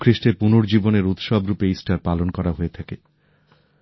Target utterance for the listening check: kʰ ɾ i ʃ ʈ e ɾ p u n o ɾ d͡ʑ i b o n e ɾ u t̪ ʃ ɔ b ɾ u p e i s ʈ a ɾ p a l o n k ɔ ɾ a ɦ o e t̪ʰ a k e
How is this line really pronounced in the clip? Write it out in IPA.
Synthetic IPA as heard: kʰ ɾ i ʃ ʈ e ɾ p u n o ɾ d͡ʑ i b o n e ɾ u t̪ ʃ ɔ b ɾ u p e i s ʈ a ɾ p a l o n k ɔ ɾ a ɦ o e t̪ʰ a k e